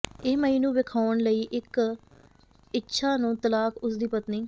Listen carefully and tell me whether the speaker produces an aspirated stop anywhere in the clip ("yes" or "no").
yes